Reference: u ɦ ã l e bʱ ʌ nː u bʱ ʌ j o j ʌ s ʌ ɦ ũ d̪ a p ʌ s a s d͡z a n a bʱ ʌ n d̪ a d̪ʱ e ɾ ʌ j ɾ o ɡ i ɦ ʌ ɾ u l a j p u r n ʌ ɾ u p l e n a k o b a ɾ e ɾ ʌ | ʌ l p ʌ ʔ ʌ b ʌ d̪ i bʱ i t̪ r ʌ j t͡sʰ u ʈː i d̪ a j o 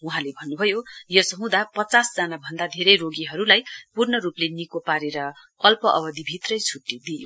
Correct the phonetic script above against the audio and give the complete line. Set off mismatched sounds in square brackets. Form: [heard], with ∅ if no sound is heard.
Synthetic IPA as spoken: u ɦ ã l e bʱ ʌ nː u bʱ ʌ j o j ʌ s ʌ ɦ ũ d̪ a p ʌ [t͡s] a s d͡z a n a bʱ ʌ n d̪ a d̪ʱ e ɾ ʌ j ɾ o ɡ i ɦ ʌ ɾ u l a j p u r n ʌ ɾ u p l e n [i] k o [p] a ɾ e ɾ ʌ | ʌ l p ʌ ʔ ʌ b ʌ d̪ i bʱ i t̪ r ʌ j t͡sʰ u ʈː i d̪ [i] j o